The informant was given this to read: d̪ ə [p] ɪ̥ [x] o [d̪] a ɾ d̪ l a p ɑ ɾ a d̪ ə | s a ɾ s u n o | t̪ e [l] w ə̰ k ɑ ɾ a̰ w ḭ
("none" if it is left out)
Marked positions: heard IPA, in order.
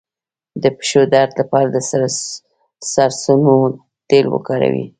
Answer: p, ʃ, d̪, l

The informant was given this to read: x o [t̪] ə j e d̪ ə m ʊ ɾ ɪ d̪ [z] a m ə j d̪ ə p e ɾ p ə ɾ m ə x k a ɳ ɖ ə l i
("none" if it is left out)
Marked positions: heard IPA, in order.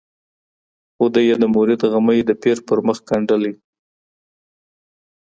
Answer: d̪, ɣ

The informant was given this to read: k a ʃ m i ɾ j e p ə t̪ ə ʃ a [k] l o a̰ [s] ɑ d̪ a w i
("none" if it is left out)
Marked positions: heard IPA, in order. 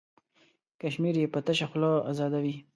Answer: x, z

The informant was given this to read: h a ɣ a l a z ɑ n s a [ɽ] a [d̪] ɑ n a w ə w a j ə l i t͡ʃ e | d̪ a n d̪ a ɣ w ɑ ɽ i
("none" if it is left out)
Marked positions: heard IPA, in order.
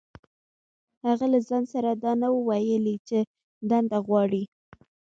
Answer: ɾ, d̪

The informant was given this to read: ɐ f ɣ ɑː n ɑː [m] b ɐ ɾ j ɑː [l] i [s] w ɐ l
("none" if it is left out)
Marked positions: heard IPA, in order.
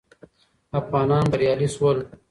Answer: n, l, s

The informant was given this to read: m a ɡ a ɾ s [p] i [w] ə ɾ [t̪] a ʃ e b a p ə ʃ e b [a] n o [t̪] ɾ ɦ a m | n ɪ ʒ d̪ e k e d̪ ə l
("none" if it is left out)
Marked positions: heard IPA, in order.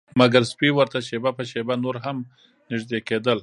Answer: p, w, t̪, a, none

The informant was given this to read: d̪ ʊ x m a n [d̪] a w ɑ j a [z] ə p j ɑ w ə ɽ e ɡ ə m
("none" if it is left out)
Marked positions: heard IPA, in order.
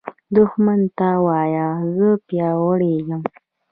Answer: t̪, z

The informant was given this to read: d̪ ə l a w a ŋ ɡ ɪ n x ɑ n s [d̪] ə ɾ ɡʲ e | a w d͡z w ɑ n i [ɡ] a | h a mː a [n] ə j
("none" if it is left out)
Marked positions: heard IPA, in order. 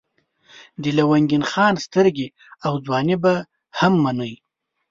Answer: t̪, b, n

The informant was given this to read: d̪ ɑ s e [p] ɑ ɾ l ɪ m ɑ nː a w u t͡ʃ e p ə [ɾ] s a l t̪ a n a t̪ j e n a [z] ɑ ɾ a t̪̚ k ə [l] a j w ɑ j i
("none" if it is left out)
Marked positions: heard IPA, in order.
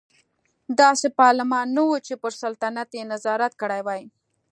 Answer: p, ɾ, z, ɽ

